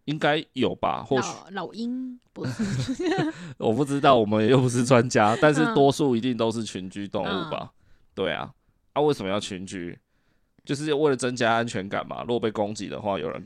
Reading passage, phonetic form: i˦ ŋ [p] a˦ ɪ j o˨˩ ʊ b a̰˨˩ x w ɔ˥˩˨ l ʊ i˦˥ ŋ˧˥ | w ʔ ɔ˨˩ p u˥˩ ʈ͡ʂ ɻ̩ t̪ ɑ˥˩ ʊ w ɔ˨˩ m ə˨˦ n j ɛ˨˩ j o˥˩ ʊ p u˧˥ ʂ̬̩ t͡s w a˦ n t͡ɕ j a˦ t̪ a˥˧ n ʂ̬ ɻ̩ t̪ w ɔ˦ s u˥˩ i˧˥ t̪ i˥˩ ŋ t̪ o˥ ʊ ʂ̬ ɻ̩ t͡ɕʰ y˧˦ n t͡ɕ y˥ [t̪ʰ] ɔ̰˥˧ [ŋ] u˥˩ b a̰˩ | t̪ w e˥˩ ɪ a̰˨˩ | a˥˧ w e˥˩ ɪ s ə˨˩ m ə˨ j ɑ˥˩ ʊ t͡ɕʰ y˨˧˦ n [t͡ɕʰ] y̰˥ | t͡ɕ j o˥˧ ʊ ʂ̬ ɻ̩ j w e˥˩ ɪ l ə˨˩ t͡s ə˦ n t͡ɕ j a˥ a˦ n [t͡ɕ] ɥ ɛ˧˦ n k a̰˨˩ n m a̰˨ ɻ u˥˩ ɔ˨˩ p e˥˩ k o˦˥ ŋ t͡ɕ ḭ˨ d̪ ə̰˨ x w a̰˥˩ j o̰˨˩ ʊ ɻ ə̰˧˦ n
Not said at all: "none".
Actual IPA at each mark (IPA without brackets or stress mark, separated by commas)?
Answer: k, t̪, ŋ, t͡ɕ, t͡ɕʰ